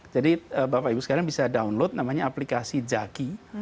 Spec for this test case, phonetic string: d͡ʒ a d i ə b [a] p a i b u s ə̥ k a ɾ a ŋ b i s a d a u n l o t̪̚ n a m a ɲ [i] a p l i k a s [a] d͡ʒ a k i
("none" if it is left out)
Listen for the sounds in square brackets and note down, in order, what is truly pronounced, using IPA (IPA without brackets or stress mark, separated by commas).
a, a, i